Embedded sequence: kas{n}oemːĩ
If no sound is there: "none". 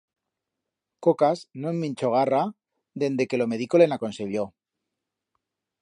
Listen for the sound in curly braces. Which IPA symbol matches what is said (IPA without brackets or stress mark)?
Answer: n